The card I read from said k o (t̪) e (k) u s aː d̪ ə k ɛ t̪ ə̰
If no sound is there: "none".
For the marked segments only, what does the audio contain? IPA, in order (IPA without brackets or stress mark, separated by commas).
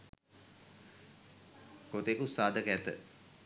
t̪, k